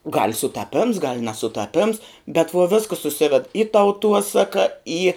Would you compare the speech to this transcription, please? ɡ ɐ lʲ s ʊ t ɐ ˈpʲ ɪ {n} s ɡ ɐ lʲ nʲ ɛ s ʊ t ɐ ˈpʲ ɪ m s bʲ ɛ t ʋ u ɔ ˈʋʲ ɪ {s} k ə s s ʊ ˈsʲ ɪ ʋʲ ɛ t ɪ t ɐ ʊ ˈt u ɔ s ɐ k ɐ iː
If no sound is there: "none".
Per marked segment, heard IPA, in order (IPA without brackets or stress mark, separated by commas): m, s